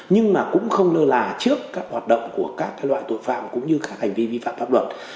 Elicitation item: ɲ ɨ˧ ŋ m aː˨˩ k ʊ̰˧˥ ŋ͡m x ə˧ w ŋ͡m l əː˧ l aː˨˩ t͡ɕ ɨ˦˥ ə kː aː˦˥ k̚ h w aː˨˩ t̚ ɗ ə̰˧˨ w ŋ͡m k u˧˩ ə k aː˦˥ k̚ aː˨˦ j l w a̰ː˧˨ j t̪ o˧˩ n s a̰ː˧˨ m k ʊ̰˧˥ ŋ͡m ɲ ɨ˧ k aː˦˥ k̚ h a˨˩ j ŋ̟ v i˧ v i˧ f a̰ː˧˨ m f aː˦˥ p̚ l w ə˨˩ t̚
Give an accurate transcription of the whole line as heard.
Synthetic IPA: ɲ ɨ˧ ŋ m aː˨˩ k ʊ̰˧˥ ŋ͡m x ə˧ w ŋ͡m l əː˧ l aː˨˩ t͡ɕ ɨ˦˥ ə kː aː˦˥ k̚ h w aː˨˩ t̚ ɗ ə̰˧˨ w ŋ͡m k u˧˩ ə k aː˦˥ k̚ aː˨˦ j l w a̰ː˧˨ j t̪ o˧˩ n f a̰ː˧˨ m k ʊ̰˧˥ ŋ͡m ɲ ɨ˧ k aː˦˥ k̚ h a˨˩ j ŋ̟ v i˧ v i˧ f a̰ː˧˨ m f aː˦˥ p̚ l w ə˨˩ t̚

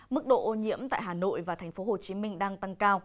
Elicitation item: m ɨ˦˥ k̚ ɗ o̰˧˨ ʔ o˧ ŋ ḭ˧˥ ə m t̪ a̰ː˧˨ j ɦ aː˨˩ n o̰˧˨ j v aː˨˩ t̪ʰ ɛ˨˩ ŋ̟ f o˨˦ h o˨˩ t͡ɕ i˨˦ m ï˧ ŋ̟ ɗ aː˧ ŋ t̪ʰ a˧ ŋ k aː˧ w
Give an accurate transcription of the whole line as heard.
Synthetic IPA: m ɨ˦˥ k̚ ɗ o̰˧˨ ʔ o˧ ɲ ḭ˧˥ ə m t̪ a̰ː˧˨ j ɦ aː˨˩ n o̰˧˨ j v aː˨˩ t̪ʰ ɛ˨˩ ŋ̟ f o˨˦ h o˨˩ t͡ɕ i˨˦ m ï˧ ŋ̟ ɗ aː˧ ŋ t̪ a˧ ŋ k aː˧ w

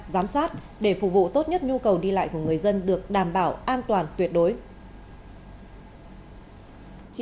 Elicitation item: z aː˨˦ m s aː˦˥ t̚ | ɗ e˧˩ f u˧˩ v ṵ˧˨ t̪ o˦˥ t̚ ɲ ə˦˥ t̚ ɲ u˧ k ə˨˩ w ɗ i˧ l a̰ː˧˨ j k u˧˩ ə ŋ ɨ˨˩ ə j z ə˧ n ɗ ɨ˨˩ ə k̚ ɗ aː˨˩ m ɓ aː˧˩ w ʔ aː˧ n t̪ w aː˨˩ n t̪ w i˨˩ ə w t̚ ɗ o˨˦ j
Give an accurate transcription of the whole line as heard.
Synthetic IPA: z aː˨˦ m s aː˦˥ t̚ | ɗ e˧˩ f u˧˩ v ṵ˧˨ t̪ o˦˥ t̚ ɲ ə˦˥ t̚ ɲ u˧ k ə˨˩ w ɗ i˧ l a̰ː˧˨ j k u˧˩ ə ŋ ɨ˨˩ ə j z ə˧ n ɗ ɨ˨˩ ə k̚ ɗ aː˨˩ m ɓ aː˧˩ w ʔ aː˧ n t̪ w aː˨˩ n t̪ w i˨˩ ə t̚ ɗ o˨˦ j

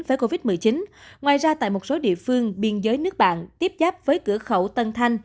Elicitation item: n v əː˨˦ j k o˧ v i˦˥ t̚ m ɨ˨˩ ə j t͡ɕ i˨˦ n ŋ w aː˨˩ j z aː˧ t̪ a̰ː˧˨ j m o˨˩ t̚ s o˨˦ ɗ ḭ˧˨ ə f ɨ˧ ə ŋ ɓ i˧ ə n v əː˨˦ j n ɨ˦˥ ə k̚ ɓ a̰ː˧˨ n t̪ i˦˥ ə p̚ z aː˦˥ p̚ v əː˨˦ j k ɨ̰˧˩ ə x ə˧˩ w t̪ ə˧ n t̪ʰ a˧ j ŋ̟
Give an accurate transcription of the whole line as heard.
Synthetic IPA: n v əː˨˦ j k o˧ v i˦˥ t̚ m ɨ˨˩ ə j t͡ɕ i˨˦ n ŋ w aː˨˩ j z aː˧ t̪ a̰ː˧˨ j m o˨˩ t̚ s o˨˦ ɗ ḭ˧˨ ə f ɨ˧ ə ŋ ɓ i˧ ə n z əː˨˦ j n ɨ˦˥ ə k̚ ɓ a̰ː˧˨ n t̪ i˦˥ ə p̚ z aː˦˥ p̚ v əː˨˦ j k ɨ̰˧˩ ə x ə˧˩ w t̪ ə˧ n t̪ʰ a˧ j ŋ̟

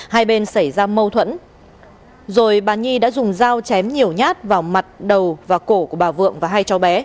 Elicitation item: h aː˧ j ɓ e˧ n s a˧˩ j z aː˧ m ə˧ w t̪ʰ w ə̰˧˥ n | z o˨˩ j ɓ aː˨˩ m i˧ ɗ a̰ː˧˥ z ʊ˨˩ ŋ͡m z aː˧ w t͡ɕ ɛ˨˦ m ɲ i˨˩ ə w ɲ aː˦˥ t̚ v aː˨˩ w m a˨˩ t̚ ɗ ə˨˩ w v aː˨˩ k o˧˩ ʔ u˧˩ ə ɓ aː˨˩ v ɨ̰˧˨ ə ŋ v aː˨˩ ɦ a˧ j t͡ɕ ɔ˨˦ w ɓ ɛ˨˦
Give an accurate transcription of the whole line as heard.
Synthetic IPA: h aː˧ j ɓ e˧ n s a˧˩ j z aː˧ m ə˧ w t̪ʰ w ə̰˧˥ n | z o˨˩ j ɓ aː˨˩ ɲ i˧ ɗ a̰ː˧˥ z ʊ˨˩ ŋ͡m z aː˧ w t͡ɕ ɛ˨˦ m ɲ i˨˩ ə w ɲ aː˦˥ t̚ v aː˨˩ w m a˨˩ t̚ ɗ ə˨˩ w v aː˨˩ k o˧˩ k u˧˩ ə ɓ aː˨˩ v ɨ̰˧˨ ə ŋ v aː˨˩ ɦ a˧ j t͡ɕ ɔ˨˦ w ɓ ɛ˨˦

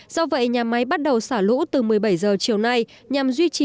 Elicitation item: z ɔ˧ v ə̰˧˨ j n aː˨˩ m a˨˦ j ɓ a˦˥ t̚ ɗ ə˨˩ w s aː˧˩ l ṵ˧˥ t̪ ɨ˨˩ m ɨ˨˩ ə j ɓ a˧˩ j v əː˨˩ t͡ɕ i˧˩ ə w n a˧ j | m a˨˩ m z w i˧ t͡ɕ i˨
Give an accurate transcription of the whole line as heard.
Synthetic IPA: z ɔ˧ v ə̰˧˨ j ɲ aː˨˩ m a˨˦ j ɓ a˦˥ t̚ ɗ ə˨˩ w s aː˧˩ l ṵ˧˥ t̪ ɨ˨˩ m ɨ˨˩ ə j ɓ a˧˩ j z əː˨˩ t͡ɕ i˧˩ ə w n a˧ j | ɲ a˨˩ m z w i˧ t͡ɕ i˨

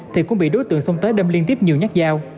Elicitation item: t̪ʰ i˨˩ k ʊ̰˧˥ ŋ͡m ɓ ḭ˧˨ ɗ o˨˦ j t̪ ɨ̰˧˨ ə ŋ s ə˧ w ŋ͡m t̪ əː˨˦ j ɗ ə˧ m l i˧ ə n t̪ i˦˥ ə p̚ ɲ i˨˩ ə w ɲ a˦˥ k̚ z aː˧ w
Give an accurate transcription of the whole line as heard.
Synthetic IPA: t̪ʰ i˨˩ k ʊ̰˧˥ ŋ͡m ɓ ḭ˧˨ ɗ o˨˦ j t̪ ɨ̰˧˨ ə ŋ s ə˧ w ŋ͡m t̪ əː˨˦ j ɗ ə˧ m l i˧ ə n t̪ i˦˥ ə p̚ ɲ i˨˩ ə w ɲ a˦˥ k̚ z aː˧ w

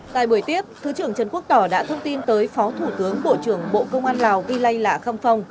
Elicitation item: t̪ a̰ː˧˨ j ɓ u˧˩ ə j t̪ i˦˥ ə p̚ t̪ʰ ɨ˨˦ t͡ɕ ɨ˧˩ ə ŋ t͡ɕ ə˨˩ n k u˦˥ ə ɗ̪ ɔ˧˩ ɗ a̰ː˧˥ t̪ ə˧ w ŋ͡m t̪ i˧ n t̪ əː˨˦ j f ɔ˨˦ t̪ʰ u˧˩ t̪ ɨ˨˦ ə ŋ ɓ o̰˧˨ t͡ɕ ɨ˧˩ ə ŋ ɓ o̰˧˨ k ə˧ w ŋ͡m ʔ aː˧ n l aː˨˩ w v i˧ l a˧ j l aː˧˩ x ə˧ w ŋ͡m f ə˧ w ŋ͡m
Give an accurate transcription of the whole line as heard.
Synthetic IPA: t̪ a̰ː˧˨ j ɓ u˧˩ ə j t̪ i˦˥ ə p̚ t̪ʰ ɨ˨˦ t͡ɕ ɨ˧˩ ə ŋ t͡ɕ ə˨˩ n k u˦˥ ə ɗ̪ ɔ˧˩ ɗ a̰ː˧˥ t̪ʰ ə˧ w ŋ͡m t̪ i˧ n t̪ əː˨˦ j f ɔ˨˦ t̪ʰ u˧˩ t̪ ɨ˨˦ ə ŋ ɓ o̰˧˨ t͡ɕ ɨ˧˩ ə ŋ ɓ o̰˧˨ k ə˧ w ŋ͡m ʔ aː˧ n l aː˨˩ w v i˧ l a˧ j l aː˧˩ x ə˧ w ŋ͡m f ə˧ w ŋ͡m

